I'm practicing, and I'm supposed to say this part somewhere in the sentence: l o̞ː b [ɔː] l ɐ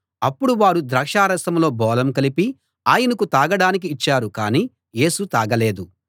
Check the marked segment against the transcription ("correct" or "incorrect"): correct